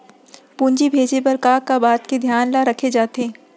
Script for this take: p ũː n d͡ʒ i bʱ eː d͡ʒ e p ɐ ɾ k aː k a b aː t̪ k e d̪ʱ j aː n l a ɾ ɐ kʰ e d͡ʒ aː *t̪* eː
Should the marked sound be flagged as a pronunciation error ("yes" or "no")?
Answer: no